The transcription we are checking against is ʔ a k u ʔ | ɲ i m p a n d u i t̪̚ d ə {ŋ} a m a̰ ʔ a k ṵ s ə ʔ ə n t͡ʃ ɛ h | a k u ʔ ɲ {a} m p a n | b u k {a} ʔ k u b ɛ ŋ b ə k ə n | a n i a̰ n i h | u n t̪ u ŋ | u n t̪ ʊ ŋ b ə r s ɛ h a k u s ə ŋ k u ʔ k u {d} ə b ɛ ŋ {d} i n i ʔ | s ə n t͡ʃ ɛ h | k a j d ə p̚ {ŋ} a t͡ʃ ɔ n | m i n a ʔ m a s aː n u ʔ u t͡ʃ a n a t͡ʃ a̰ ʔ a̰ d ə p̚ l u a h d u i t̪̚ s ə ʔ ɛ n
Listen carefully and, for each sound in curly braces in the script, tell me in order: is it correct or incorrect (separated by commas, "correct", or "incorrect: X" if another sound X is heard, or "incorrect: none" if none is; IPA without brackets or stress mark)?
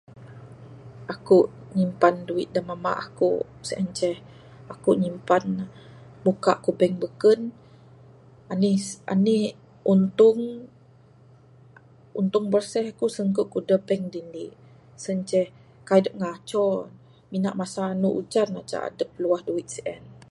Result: incorrect: m, incorrect: i, correct, correct, correct, correct